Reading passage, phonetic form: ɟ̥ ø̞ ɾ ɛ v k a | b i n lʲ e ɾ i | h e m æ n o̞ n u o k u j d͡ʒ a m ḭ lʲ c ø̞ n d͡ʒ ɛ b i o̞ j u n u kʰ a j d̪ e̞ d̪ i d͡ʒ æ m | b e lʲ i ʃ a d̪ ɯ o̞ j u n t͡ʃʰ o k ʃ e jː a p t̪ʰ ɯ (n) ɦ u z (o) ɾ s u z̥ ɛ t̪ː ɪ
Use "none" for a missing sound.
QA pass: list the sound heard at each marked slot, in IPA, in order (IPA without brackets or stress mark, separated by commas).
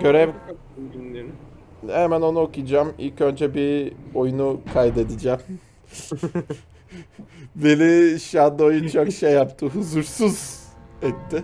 none, u